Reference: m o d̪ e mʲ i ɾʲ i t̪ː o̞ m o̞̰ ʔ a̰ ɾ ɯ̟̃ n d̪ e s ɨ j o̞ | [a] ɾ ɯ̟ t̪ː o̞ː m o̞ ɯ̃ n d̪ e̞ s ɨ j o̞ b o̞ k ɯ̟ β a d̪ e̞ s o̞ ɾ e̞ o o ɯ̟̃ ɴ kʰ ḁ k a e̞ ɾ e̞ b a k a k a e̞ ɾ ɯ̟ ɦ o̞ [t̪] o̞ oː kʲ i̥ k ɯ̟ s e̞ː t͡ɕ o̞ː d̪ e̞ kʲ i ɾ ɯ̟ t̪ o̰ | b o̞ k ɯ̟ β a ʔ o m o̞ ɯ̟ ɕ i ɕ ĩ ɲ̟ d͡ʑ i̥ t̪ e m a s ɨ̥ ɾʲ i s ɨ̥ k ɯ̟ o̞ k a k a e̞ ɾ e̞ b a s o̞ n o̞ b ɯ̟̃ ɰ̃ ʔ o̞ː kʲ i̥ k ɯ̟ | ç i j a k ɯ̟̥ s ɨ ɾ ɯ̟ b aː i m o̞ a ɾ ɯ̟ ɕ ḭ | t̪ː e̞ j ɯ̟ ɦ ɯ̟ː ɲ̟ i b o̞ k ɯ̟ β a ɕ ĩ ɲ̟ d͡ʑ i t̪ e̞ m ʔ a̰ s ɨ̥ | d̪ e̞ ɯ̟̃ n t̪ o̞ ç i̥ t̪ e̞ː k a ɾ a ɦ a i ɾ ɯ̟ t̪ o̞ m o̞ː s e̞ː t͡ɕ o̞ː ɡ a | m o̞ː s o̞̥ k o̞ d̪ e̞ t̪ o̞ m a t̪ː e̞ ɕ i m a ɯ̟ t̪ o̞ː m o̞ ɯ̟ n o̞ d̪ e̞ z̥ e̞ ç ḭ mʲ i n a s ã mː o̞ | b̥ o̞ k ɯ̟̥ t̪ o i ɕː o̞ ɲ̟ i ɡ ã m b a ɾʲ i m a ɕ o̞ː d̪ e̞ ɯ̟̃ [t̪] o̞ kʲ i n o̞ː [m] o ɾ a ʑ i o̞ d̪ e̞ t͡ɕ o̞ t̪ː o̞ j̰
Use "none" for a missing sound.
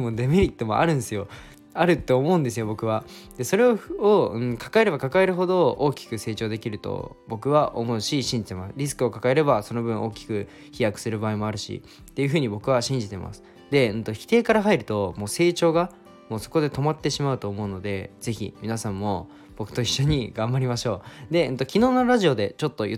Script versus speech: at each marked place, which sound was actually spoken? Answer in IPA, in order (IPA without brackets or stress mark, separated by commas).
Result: a, d̪, t̪, n